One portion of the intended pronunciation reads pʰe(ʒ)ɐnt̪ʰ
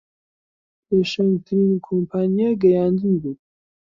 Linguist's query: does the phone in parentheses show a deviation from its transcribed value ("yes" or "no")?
yes